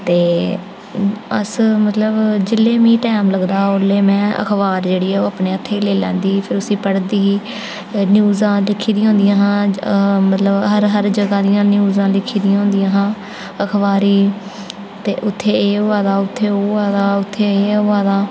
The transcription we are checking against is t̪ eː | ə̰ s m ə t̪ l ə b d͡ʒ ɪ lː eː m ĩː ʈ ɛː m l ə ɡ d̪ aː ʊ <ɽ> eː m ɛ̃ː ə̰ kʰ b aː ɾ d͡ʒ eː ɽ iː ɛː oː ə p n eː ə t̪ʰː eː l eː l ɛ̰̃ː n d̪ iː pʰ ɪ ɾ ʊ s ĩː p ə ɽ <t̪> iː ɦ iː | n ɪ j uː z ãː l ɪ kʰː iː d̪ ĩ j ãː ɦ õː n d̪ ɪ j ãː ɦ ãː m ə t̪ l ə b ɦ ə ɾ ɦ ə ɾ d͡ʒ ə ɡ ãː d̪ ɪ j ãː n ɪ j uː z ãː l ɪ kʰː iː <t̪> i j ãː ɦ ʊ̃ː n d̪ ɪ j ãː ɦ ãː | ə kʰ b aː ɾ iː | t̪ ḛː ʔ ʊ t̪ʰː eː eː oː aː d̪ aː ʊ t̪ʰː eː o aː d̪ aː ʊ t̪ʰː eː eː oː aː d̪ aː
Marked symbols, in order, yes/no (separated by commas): no, no, no